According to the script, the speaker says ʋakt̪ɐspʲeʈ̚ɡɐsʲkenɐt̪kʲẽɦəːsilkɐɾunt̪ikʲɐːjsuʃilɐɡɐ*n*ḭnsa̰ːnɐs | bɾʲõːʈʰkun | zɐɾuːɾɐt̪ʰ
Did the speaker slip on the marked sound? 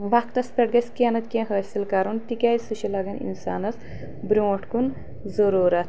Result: no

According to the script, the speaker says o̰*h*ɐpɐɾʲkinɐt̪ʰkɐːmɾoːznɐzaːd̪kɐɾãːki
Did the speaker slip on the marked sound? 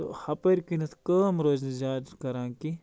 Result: no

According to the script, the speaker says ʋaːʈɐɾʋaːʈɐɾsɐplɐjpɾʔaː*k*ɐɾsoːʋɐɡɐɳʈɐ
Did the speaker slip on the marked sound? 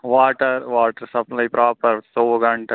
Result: yes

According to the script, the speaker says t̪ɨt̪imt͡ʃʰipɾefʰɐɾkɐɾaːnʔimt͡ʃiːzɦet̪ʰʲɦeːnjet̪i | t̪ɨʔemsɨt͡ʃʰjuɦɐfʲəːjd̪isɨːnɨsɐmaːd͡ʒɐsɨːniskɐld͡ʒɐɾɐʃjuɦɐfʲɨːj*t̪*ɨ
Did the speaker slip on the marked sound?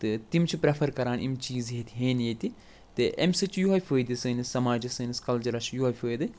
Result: yes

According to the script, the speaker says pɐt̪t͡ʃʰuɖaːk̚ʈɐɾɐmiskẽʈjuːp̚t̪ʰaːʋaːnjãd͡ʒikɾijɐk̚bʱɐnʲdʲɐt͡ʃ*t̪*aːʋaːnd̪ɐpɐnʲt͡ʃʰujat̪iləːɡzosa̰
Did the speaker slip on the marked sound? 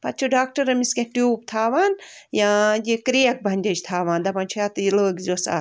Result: yes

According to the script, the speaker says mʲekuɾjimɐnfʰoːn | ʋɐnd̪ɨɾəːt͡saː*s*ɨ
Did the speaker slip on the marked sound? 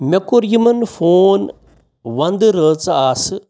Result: no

